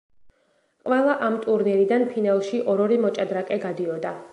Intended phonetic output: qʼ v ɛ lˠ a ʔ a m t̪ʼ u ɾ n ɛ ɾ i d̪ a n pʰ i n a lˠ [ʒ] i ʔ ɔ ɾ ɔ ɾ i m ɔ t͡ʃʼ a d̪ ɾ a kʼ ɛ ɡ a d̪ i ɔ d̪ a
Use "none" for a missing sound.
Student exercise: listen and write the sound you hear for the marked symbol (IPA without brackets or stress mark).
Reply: ʃ